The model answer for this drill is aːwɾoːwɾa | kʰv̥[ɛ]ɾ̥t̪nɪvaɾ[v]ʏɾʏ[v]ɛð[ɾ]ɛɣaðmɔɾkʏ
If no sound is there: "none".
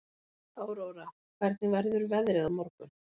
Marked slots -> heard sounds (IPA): ɛ, ð, v, ɾ

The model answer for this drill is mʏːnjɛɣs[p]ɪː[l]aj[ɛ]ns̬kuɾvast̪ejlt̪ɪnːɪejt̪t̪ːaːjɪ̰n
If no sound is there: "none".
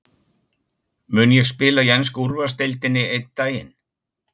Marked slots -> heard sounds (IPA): p, l, ɛ

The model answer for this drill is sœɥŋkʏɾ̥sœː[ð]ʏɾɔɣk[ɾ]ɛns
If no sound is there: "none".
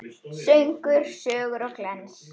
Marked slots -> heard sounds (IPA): ɣ, l

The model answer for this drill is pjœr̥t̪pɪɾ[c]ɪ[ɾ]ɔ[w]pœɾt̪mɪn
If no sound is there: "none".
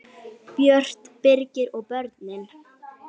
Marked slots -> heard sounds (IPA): c, ɾ, ɣ

